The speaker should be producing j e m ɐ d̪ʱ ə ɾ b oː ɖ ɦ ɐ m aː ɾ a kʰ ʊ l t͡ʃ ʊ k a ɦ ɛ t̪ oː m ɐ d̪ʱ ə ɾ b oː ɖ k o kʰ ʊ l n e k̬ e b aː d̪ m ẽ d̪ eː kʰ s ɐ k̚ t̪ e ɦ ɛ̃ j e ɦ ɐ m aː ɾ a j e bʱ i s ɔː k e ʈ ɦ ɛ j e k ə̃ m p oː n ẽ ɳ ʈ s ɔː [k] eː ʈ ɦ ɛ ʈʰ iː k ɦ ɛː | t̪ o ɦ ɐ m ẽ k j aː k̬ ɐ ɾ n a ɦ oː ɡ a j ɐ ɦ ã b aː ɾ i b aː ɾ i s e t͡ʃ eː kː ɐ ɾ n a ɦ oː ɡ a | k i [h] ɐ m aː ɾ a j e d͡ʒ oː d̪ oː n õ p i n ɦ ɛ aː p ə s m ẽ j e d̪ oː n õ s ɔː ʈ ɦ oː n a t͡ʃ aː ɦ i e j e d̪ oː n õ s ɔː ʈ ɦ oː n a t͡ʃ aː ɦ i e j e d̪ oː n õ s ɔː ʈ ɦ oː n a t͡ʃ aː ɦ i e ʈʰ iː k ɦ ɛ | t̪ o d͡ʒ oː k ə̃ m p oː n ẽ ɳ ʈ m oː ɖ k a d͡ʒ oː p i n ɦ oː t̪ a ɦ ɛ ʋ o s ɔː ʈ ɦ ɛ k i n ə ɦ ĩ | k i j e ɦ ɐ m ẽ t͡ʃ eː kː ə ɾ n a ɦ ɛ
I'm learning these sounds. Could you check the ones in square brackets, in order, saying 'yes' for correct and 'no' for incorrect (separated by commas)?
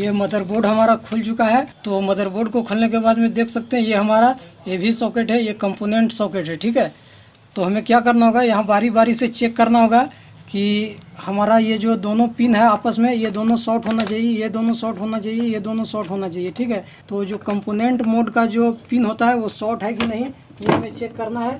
yes, yes